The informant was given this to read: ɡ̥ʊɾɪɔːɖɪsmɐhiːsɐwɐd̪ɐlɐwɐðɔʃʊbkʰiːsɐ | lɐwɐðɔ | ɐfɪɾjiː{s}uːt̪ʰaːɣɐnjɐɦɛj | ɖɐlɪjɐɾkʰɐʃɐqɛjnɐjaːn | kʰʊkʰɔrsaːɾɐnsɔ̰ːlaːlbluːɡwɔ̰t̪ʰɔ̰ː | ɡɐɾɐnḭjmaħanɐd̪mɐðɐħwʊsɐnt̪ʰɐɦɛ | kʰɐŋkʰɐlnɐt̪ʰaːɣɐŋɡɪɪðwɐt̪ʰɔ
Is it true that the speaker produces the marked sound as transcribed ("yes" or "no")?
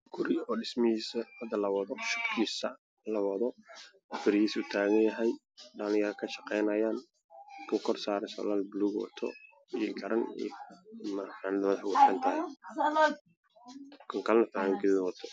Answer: yes